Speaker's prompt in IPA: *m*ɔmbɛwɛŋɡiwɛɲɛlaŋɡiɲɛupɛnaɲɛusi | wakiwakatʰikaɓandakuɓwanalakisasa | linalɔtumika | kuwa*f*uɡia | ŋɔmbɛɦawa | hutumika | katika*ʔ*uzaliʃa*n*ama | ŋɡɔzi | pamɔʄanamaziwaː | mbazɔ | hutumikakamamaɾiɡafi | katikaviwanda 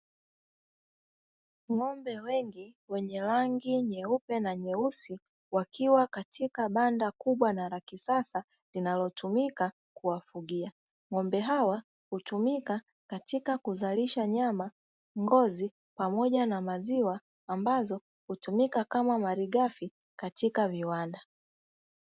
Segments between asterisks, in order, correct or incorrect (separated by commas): incorrect, correct, incorrect, incorrect